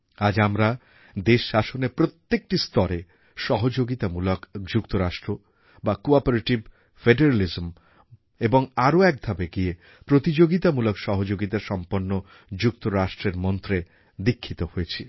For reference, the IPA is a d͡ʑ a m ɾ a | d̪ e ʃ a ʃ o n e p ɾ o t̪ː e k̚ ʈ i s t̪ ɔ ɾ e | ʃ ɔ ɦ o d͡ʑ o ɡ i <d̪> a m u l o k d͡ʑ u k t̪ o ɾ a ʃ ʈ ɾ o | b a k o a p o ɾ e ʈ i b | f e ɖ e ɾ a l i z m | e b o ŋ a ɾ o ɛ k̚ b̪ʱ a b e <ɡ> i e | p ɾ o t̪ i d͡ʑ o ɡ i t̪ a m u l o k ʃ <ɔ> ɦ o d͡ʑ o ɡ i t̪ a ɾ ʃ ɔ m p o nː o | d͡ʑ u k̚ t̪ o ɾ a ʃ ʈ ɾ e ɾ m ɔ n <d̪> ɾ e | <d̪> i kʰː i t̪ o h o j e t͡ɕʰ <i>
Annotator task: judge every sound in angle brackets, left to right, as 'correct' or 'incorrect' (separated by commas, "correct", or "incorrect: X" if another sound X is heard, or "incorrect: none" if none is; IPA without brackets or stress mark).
incorrect: t̪, correct, correct, incorrect: t̪, correct, correct